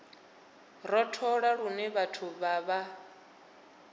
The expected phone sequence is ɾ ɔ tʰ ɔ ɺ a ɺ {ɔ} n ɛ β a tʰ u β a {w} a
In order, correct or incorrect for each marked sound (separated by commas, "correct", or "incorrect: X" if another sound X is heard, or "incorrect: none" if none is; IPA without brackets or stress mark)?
incorrect: u, incorrect: β